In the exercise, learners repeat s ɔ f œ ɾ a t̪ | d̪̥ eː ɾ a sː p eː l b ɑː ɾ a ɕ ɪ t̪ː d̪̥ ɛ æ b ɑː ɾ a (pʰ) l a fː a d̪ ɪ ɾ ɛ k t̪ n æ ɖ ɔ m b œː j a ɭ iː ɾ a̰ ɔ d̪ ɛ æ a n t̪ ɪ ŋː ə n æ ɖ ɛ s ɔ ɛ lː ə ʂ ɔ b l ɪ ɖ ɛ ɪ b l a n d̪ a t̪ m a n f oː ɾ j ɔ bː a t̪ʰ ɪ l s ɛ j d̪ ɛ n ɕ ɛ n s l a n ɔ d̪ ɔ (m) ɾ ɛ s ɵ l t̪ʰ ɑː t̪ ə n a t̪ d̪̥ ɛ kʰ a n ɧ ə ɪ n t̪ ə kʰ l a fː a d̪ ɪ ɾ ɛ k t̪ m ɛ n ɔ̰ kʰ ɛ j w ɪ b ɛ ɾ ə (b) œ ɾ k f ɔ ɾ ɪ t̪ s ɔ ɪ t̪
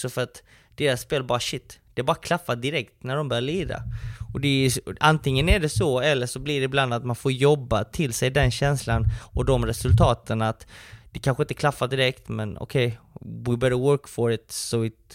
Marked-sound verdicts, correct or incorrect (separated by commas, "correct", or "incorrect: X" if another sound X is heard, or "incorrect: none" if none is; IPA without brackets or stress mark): incorrect: kʰ, correct, incorrect: w